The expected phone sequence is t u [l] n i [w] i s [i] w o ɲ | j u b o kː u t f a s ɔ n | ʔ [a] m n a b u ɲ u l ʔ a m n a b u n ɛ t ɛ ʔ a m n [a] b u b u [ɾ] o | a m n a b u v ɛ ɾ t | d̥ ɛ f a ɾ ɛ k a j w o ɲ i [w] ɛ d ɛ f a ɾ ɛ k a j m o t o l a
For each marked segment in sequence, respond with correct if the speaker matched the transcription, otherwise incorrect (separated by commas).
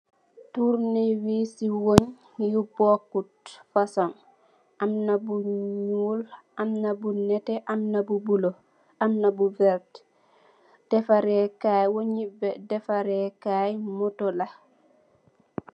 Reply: incorrect, correct, correct, correct, correct, incorrect, incorrect